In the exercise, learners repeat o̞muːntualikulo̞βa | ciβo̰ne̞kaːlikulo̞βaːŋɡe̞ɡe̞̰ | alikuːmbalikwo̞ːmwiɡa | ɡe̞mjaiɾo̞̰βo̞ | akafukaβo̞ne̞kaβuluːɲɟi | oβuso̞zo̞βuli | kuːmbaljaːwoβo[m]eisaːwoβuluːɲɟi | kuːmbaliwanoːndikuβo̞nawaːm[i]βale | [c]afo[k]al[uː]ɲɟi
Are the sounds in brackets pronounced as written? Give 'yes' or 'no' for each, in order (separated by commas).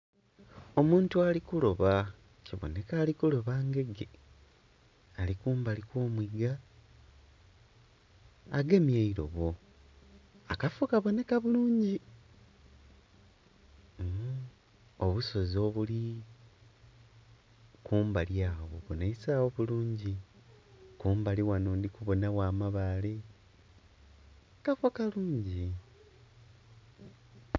no, no, no, yes, yes